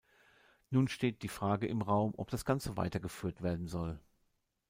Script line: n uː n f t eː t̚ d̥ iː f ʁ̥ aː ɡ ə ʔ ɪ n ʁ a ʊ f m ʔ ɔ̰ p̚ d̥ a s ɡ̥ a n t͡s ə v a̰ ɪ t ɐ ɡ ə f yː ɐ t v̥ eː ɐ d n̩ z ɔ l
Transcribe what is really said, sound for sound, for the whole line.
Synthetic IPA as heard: n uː n ʃ t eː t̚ d̥ iː f ʁ̥ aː ɡ ə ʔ ɪ m ʁ a ʊ m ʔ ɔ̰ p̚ d̥ a s ɡ̥ a n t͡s ə v a̰ ɪ t ɐ ɡ ə f yː ɐ t v̥ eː ɐ d n̩ z ɔ l